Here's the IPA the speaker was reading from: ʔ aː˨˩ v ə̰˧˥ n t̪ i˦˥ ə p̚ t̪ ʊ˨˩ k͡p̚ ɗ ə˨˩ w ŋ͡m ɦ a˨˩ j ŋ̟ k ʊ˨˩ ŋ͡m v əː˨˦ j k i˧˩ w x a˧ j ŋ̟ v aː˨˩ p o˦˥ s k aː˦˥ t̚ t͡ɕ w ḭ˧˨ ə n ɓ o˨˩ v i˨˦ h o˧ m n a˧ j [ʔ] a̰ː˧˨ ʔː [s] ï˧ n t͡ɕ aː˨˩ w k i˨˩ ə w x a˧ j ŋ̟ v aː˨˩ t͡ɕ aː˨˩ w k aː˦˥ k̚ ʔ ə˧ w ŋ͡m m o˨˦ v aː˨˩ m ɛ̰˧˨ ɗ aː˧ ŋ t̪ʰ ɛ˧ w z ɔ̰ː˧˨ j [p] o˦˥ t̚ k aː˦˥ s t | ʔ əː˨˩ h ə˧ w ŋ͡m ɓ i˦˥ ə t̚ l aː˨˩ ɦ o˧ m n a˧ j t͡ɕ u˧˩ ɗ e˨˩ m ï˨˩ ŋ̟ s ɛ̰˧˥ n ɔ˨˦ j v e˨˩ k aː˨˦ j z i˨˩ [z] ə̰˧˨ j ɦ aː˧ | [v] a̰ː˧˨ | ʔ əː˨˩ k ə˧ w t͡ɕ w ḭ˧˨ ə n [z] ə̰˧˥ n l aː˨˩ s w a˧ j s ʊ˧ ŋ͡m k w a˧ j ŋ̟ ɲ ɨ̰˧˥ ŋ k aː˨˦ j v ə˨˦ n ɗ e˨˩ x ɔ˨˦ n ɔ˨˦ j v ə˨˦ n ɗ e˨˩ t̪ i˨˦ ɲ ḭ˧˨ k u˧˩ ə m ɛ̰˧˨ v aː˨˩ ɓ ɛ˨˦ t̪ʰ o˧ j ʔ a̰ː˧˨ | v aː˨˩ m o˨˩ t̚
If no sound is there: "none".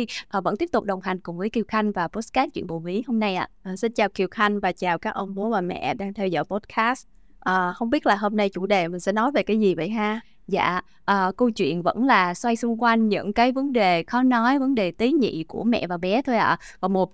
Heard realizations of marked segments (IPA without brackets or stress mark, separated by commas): ʔ, s, p, v, z, v